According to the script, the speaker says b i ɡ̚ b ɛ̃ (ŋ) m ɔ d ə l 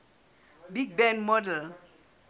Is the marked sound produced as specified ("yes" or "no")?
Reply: no